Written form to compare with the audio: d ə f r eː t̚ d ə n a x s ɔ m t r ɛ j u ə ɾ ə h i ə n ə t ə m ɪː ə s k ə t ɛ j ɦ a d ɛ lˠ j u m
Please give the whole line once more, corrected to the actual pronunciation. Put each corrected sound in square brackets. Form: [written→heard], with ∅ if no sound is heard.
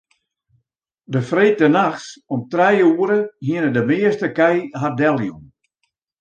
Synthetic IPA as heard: d ə f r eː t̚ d ə n a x s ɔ m t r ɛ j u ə ɾ ə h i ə n ə [t→d] ə m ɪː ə s [k→t] ə [t→k] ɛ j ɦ a d ɛ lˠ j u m